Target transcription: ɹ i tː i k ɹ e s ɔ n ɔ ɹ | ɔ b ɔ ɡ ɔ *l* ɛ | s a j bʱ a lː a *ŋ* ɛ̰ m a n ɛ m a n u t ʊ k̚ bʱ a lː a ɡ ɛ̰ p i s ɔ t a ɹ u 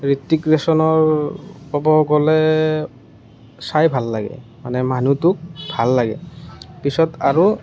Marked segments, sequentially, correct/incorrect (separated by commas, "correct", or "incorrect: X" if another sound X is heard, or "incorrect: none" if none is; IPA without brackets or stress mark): correct, incorrect: ɡ